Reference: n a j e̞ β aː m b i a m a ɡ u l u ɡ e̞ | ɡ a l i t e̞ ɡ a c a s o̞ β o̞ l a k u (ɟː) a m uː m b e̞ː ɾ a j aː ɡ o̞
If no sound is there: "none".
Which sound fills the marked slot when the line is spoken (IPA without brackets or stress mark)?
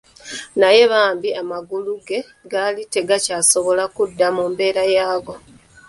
dː